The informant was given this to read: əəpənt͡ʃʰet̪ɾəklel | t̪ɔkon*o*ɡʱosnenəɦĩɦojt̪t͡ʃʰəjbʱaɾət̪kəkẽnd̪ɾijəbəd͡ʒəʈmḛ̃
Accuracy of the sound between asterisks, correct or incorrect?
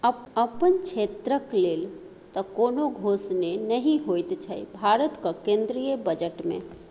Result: correct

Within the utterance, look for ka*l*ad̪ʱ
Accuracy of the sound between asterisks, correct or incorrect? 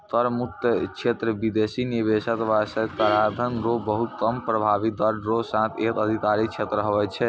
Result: incorrect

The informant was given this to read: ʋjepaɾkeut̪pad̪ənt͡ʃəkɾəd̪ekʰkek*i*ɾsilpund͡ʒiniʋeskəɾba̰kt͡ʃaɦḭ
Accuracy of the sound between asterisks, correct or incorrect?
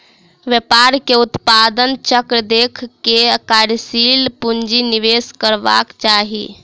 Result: incorrect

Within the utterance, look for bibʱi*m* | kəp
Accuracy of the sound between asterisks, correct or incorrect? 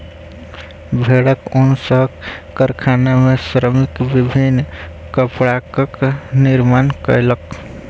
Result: incorrect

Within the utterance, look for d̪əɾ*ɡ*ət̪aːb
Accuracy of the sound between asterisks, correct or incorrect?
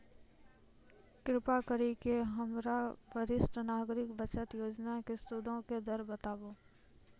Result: incorrect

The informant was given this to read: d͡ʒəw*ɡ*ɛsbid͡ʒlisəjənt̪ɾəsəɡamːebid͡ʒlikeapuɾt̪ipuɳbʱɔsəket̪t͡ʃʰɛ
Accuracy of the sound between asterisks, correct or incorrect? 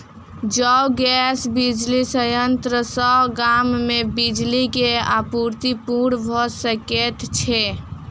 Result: correct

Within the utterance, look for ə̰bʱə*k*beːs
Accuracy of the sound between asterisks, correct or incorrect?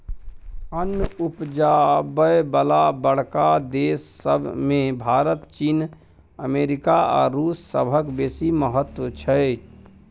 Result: correct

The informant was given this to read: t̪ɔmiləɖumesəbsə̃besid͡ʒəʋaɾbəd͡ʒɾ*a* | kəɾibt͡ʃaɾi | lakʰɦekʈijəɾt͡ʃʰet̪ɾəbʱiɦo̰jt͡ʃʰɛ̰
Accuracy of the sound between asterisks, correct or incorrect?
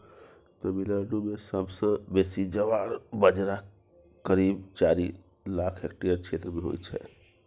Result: correct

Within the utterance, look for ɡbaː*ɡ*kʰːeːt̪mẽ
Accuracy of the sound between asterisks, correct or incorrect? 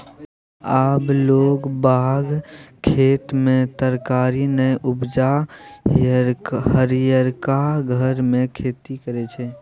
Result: correct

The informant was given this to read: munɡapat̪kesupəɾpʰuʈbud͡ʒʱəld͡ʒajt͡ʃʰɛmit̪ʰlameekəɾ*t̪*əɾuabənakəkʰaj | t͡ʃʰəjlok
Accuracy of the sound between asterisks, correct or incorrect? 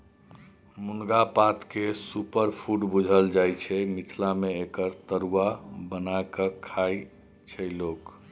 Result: correct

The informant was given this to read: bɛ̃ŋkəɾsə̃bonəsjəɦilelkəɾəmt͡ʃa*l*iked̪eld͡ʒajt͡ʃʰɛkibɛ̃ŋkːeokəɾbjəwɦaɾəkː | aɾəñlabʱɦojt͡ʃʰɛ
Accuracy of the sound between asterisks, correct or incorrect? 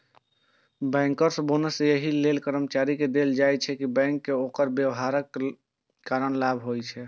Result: incorrect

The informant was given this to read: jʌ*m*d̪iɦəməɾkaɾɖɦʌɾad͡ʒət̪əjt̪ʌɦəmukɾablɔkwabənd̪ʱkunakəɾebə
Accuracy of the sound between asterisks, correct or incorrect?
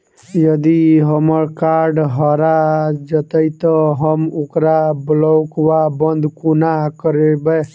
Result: incorrect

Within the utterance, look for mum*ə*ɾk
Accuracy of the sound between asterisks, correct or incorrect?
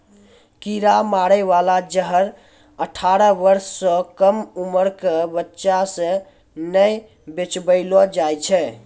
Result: correct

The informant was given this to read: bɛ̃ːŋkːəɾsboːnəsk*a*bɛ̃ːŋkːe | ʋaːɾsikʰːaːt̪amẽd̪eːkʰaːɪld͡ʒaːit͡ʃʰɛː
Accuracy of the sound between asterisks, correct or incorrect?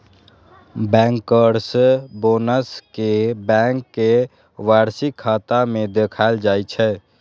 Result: incorrect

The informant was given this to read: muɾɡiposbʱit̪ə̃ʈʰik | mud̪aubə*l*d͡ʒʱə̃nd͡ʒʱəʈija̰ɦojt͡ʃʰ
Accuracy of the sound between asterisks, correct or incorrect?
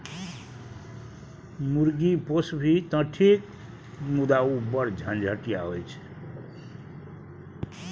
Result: incorrect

